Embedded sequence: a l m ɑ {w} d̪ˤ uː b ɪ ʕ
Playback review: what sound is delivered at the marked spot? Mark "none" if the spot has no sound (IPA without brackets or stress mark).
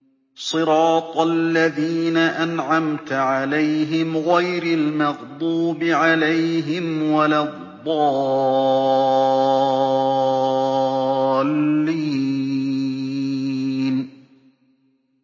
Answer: ɣ